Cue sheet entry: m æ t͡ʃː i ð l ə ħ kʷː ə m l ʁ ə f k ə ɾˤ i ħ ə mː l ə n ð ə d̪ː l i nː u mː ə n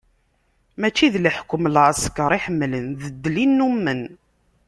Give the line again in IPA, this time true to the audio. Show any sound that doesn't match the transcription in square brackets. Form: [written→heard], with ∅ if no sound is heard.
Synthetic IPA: m æ t͡ʃː i ð l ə ħ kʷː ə m l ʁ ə [f→s] k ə ɾˤ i ħ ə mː l ə n ð ə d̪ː l i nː u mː ə n